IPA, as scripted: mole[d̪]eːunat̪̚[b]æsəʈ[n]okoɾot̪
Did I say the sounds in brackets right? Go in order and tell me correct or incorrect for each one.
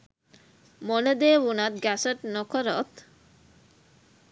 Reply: correct, incorrect, correct

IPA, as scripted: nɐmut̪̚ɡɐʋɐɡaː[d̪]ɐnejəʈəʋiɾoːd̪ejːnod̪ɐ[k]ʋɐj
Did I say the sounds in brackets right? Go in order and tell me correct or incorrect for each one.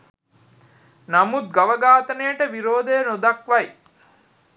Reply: incorrect, correct

